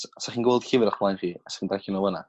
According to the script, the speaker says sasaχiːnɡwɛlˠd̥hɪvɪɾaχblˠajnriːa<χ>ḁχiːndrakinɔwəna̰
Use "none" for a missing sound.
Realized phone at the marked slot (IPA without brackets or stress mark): s